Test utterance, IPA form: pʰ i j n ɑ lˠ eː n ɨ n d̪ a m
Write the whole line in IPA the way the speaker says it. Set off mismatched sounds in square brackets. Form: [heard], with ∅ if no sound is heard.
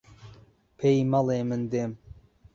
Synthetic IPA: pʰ [e] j [m] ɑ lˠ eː [m] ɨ n d̪ [e] m